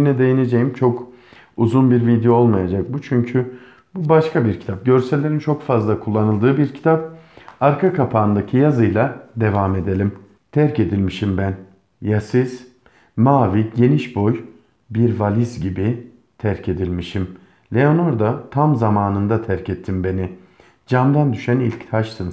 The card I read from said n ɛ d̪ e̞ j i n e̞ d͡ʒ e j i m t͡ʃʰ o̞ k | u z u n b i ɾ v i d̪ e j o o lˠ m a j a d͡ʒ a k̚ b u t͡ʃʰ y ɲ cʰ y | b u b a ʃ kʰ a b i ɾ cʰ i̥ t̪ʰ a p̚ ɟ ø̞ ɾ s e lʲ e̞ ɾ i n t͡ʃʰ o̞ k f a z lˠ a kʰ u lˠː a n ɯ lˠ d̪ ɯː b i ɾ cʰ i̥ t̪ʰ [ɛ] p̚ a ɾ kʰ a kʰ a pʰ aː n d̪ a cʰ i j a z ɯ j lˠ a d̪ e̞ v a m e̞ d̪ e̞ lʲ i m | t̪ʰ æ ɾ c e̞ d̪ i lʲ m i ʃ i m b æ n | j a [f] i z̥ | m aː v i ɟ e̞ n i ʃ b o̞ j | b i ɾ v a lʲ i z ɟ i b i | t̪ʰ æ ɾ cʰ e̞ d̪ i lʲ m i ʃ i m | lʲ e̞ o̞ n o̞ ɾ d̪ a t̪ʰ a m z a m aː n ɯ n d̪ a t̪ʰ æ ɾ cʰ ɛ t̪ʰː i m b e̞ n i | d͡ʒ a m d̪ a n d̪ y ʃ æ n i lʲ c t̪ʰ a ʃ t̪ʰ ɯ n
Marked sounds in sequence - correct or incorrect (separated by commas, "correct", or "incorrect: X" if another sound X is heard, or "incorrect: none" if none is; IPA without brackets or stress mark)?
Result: incorrect: a, incorrect: s